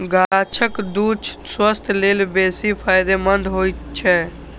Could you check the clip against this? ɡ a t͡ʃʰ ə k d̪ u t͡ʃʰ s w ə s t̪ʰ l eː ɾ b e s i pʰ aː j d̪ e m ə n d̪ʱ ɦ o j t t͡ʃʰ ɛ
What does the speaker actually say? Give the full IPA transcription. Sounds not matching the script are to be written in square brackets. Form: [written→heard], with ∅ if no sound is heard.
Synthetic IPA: ɡ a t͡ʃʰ ə k d̪ u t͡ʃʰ s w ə s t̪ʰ l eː [ɾ→l] b e s i pʰ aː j d̪ e m ə n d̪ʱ ɦ o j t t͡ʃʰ ɛ